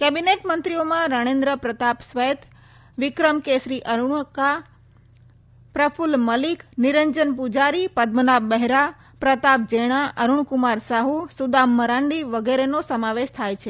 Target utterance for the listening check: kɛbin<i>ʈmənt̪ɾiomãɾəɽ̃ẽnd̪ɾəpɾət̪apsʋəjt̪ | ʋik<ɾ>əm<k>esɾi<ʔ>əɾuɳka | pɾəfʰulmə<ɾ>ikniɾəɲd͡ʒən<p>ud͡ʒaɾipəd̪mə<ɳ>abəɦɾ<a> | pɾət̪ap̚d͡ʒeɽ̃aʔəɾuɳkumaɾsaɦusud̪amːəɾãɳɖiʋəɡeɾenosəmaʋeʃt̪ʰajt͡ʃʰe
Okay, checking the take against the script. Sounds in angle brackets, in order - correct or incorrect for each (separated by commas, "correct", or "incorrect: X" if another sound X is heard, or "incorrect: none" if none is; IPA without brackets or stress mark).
incorrect: e, correct, correct, correct, incorrect: l, correct, incorrect: n, correct